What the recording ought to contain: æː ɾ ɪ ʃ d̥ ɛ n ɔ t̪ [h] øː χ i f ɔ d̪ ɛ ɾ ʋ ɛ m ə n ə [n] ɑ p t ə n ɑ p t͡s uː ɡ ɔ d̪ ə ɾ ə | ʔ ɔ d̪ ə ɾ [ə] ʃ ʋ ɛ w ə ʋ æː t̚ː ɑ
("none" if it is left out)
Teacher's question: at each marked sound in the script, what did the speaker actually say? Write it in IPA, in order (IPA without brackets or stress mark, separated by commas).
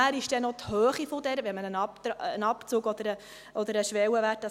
h, n, ə